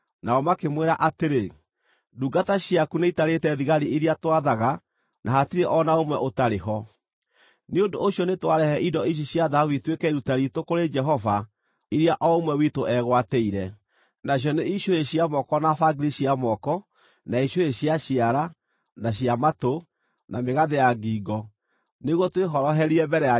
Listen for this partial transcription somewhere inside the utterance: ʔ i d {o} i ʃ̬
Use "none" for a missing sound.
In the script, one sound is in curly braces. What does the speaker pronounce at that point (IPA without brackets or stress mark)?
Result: ɔ